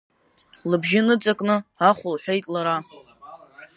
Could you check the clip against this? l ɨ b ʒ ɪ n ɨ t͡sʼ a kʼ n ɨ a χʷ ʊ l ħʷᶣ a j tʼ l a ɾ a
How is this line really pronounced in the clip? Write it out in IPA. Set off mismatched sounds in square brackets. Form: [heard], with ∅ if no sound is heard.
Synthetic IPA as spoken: l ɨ b ʒ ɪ n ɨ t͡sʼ a kʼ n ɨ a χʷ ʊ l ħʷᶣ [e] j tʼ l a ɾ a